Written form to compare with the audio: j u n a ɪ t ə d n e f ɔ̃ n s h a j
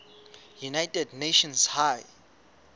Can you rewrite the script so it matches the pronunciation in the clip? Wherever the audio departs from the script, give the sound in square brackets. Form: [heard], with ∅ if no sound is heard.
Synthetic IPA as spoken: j u n a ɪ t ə d n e [ʃ] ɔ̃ n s h a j